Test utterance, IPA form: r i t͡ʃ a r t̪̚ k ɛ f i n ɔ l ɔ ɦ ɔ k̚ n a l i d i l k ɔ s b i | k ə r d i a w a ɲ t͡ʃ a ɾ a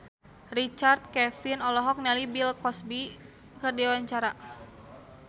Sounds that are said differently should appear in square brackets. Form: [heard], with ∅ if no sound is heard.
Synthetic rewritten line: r i t͡ʃ a r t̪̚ k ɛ f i n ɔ l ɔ ɦ ɔ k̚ n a l i [b] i l k ɔ s b i | k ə r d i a w a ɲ t͡ʃ a ɾ a